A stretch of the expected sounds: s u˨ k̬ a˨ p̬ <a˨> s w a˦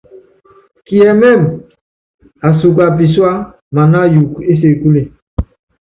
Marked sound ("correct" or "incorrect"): incorrect